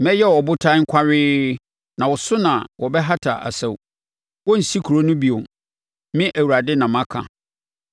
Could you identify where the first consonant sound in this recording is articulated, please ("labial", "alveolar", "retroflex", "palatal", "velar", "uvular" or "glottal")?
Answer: labial